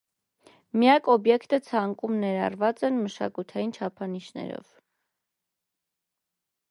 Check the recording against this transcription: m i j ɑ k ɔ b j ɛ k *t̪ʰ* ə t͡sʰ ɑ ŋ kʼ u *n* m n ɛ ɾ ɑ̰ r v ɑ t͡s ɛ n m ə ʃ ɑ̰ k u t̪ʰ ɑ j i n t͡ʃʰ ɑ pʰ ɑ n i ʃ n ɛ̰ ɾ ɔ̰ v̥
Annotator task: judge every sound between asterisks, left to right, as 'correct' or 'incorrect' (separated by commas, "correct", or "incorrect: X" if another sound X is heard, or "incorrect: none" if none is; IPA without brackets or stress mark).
incorrect: t̪, incorrect: none